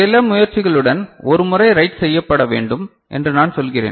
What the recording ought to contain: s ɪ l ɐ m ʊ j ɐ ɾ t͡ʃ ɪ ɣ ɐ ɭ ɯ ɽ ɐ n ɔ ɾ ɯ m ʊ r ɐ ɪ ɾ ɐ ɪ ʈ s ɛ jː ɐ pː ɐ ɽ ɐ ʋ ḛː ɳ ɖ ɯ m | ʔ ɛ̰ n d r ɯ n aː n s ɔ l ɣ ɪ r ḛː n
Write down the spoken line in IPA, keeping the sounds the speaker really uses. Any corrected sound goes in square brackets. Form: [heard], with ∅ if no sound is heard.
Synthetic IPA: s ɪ l ɐ m ʊ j ɐ ɾ t͡ʃ ɪ ɣ ɐ ɭ ɯ ɽ ɐ n ɔ ɾ ɯ m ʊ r ɐ ɪ ɾ ɐ ɪ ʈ s ɛ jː ɐ pː ɐ ɽ ɐ ʋ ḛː ɳ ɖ ɯ m | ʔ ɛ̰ n d r ɯ n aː n s ɔ l ɣ ɪ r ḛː n

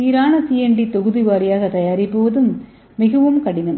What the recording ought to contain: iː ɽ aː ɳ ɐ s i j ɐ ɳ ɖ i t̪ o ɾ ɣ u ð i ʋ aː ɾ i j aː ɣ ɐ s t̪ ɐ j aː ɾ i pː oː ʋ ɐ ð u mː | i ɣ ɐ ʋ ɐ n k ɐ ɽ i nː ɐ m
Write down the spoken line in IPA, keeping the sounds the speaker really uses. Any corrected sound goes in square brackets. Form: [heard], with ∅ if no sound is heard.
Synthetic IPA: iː [ɾ] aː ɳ ɐ s i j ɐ ɳ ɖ i t̪ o [∅] ɣ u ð i ʋ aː ɾ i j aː ɣ ɐ [∅] t̪ ɐ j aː ɾ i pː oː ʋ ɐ ð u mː | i ɣ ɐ ʋ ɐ [m] k ɐ ɽ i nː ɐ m

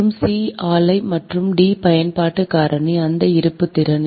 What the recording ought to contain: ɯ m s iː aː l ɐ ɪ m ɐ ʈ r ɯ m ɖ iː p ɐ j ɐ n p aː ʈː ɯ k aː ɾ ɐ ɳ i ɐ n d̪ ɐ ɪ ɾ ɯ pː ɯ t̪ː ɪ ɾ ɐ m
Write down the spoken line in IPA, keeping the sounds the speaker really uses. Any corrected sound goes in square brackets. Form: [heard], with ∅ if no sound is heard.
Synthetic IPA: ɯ m s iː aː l ɐ ɪ m ɐ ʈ r ɯ m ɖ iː p ɐ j ɐ n p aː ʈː ɯ k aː ɾ ɐ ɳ i ɐ n d̪ ɐ ɪ ɾ ɯ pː ɯ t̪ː ɪ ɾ ɐ [n]

